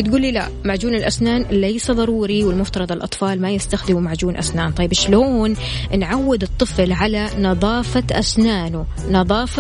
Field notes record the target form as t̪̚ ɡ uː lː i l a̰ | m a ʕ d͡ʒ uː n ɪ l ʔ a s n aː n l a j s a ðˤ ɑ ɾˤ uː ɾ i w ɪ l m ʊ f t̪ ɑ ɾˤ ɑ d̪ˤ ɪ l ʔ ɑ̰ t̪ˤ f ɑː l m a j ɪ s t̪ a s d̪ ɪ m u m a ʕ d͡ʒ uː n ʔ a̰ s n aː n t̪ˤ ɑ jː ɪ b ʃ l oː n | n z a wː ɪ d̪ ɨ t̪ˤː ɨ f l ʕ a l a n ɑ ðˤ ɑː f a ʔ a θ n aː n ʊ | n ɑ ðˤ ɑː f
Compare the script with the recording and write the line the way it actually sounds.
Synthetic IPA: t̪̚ ɡ uː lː i l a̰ | m a ʕ d͡ʒ uː n ɪ l ʔ a s n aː n l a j s a ðˤ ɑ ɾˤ uː ɾ i w ɪ l m ʊ f t̪ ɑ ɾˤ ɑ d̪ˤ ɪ l ʔ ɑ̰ t̪ˤ f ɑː l m a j ɪ s t̪ a x d̪ ɪ m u m a ʕ d͡ʒ uː n ʔ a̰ s n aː n t̪ˤ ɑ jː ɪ b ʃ l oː n | n ʕ a wː ɪ d̪ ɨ t̪ˤː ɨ f l ʕ a l a n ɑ ðˤ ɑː f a ʔ a s n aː n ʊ | n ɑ ðˤ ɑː f